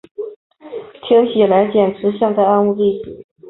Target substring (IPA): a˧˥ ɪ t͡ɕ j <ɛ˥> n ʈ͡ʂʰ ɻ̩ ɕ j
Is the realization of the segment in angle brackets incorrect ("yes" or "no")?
yes